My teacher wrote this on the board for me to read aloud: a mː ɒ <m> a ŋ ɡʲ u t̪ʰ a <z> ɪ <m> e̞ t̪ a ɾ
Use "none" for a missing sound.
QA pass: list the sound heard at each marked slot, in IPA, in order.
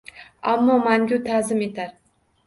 m, z, m

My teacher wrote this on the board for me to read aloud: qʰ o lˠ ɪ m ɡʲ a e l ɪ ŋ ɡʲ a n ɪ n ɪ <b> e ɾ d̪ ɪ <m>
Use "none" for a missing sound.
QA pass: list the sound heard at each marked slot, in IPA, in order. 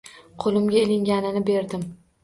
b, m

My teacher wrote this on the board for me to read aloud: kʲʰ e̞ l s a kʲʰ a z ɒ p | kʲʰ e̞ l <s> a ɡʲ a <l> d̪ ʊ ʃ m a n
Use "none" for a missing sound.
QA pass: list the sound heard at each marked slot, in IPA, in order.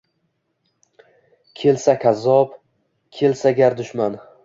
s, ɾ

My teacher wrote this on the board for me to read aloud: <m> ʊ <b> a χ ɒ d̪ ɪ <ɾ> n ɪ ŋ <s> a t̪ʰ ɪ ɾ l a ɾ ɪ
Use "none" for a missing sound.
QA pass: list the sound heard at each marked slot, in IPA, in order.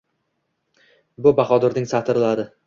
b, b, ɾ, s

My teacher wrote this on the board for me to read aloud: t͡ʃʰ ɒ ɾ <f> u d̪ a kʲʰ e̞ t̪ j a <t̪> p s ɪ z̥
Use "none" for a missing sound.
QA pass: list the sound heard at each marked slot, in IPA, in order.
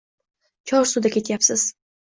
s, none

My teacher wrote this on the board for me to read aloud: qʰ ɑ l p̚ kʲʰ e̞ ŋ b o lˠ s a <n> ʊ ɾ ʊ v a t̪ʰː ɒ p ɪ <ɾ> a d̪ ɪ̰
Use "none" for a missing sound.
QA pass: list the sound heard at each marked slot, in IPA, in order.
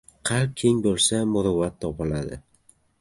m, l

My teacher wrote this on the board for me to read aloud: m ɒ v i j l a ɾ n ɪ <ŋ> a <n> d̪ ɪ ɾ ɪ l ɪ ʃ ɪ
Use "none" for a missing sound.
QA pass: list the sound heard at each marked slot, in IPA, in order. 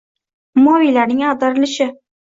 ŋ, none

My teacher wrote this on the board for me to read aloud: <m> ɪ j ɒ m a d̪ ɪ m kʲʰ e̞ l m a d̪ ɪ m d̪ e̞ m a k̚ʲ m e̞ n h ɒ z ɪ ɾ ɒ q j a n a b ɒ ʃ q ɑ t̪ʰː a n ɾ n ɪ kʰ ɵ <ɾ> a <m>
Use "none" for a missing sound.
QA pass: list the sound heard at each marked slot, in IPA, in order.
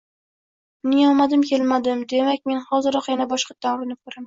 n, ɾ, m

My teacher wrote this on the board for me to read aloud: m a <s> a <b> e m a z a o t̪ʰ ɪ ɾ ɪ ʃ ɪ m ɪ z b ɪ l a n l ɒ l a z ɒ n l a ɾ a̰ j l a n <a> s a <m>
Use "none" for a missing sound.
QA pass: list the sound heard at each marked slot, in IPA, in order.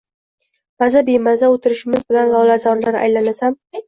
z, b, a, m

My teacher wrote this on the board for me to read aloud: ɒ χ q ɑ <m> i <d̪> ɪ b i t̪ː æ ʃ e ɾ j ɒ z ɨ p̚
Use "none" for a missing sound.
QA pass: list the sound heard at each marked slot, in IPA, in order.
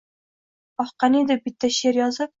n, d̪

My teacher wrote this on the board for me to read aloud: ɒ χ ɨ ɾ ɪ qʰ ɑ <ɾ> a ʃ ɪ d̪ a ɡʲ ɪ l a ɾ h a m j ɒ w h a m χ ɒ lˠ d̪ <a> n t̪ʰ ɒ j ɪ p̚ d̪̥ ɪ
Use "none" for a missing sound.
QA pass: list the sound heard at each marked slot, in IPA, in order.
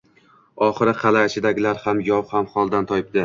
l, a

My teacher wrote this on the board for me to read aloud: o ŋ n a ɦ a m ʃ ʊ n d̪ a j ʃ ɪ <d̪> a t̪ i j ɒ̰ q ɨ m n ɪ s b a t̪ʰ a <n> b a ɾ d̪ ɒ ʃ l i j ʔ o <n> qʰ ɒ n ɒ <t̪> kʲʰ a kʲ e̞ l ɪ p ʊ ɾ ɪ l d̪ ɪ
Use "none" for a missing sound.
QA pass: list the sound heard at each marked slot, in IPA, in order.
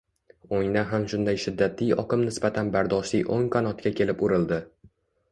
d̪ː, n, ŋ, t̪

